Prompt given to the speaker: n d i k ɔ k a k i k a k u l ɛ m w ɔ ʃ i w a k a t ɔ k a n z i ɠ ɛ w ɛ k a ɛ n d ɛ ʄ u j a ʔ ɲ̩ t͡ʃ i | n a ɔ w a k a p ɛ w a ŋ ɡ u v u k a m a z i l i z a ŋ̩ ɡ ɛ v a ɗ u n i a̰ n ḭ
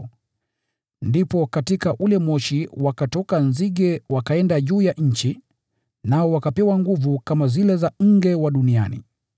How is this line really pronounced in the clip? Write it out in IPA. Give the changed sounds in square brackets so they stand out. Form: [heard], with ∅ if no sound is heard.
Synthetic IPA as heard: n d i [p] ɔ k a [t] i k a [ʔ] u l ɛ m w ɔ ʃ i w a k a t ɔ k a n z i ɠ ɛ w [a] k a ɛ n d [a] ʄ [uː] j a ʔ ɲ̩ t͡ʃ i | n a ɔ w a k a p ɛ w a ŋ ɡ u v u k a m a z i l [ɛ] z a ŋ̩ ɡ ɛ [w] a ɗ u n i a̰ n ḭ